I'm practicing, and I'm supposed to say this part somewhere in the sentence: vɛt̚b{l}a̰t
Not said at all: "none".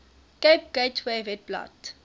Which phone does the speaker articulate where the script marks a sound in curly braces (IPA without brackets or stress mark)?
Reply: l